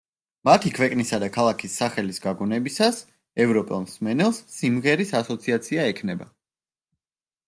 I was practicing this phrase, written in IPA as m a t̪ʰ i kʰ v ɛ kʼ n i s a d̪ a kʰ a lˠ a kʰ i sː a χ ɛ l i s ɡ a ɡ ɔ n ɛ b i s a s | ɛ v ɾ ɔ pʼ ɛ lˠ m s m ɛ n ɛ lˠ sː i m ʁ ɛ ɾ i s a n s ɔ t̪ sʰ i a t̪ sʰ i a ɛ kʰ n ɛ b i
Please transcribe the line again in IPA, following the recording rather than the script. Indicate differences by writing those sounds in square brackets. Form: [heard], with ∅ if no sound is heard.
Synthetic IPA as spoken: m a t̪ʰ i kʰ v ɛ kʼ n i s a d̪ a kʰ a lˠ a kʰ i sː a χ ɛ l i s ɡ a ɡ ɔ n ɛ b i s a s | ɛ v ɾ ɔ pʼ ɛ lˠ m s m ɛ n ɛ lˠ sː i m ʁ ɛ ɾ i s a [∅] s ɔ t̪ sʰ i a t̪ sʰ i a ɛ kʰ n ɛ b [a]